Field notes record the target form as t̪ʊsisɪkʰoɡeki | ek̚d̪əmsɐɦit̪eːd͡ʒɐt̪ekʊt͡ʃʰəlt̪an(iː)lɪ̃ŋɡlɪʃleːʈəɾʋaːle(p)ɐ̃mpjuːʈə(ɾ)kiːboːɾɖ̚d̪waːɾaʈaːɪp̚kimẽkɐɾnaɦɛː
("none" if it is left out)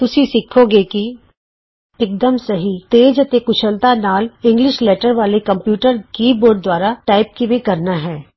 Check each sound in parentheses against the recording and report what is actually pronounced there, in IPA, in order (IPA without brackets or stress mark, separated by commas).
aː, k, ɾ